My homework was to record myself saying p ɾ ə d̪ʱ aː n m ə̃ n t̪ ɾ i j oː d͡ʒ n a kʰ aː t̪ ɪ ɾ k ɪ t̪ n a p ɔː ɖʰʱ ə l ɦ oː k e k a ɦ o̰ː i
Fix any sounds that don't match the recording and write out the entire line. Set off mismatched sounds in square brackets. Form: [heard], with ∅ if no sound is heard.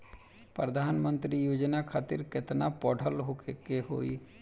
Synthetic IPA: p ɾ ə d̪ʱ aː n m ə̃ n t̪ ɾ i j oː d͡ʒ n a kʰ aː t̪ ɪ ɾ k ɪ t̪ n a p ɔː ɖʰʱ ə l ɦ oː k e k [e] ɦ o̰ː i